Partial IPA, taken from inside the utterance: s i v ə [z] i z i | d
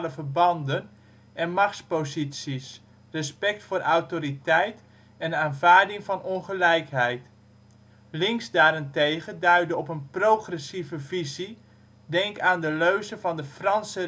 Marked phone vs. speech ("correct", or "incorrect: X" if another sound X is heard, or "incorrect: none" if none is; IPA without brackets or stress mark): incorrect: v